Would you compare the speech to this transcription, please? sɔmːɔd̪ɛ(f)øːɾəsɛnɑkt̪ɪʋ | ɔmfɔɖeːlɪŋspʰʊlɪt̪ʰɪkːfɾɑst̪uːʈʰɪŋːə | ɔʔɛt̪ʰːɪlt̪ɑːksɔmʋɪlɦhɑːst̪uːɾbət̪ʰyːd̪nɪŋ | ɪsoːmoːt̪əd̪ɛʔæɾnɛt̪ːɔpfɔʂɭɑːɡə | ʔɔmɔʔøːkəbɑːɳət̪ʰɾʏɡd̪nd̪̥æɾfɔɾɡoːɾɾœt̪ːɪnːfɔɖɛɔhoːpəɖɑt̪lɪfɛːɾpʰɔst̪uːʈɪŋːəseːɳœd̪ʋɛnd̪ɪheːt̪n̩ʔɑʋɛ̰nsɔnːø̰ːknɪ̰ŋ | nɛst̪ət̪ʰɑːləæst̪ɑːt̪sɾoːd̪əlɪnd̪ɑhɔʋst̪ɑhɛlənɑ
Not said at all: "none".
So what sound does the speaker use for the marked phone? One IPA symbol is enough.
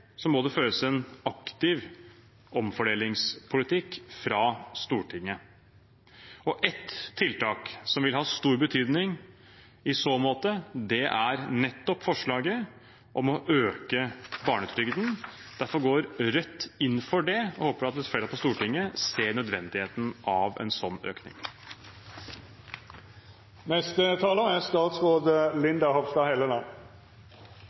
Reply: f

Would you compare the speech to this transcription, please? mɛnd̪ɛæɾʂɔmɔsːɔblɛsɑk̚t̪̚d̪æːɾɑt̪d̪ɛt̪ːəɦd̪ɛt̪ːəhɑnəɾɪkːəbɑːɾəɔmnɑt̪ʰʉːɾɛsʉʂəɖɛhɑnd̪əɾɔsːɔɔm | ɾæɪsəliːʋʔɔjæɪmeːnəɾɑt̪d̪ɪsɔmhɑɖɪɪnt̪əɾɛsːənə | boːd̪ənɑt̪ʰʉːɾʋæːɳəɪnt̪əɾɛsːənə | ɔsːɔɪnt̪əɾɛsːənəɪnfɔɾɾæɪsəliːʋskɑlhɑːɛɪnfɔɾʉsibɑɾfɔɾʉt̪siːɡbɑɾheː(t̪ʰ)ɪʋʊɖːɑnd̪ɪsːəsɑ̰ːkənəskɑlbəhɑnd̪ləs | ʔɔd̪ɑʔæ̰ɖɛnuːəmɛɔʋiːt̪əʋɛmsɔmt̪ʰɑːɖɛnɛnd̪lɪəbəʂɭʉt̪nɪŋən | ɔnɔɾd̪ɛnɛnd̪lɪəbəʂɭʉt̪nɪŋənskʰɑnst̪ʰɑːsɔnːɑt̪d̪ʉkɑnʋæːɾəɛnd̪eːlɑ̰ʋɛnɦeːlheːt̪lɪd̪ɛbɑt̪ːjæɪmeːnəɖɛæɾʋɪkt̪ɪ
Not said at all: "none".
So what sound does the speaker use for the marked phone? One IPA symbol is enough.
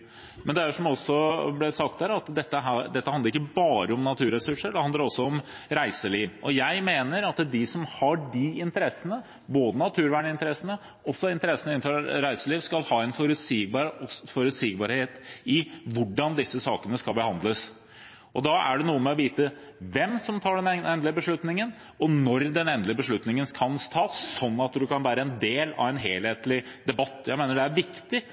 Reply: t̪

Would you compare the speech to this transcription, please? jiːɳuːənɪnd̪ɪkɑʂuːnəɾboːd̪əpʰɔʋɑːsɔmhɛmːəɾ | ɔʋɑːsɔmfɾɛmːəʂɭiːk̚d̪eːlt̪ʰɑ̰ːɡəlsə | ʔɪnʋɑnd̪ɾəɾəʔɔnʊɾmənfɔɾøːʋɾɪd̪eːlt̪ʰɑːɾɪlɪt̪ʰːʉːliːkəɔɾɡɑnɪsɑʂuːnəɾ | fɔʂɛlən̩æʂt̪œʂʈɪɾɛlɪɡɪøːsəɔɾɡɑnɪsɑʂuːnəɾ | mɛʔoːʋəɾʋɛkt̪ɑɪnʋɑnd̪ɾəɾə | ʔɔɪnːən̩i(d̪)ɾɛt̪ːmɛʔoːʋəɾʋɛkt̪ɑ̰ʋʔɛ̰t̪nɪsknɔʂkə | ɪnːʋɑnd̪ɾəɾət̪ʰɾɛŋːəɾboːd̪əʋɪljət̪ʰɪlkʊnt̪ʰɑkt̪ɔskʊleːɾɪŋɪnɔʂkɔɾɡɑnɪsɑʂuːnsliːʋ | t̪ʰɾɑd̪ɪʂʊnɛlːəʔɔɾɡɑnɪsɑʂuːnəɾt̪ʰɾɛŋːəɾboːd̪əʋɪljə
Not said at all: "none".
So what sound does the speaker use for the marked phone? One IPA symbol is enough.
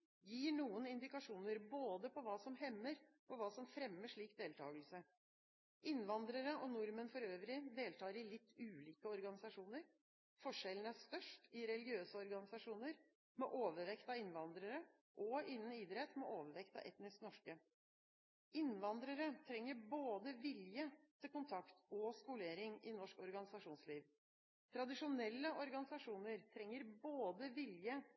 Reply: d̪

